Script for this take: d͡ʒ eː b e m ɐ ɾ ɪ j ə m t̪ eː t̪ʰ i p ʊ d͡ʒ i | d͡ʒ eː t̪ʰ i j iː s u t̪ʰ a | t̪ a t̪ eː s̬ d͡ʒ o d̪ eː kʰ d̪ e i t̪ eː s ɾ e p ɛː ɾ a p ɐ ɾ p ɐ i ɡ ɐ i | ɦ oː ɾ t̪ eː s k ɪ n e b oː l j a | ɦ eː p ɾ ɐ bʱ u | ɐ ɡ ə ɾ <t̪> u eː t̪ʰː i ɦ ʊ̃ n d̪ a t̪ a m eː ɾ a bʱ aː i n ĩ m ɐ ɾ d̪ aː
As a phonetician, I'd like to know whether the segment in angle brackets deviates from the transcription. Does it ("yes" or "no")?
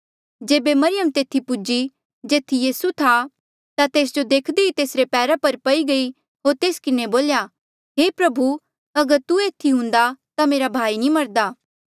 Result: no